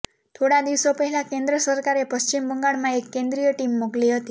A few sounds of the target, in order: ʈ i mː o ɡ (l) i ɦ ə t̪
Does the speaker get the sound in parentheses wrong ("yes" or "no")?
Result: no